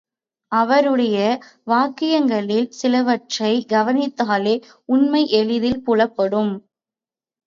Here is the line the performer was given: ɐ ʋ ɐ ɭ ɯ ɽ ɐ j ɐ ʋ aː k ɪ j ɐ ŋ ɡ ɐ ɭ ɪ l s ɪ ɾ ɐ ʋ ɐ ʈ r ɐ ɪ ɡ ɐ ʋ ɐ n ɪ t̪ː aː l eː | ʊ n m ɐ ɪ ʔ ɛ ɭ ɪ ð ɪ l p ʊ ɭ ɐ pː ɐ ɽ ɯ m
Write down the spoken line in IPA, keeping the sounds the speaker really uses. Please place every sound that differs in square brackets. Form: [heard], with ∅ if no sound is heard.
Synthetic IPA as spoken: ɐ ʋ ɐ [ɾ] ɯ ɽ ɐ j ɐ ʋ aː k ɪ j ɐ ŋ ɡ ɐ ɭ ɪ l s ɪ [l] ɐ ʋ ɐ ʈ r ɐ ɪ ɡ ɐ ʋ ɐ n ɪ t̪ː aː l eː | ʊ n m ɐ ɪ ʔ ɛ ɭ ɪ ð ɪ l p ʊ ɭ ɐ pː ɐ ɽ ɯ m